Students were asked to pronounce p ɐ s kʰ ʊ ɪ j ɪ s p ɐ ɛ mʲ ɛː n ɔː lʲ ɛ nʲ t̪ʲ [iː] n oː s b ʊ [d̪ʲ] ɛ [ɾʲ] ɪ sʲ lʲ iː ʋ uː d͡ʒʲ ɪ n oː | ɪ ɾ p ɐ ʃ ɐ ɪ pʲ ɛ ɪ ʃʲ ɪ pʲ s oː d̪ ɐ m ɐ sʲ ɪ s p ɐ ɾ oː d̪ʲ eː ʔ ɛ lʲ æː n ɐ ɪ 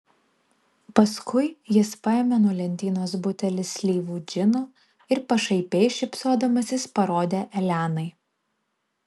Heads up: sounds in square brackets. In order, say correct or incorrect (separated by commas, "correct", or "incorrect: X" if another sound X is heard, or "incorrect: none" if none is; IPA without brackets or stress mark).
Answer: correct, incorrect: t̪ʲ, incorrect: lʲ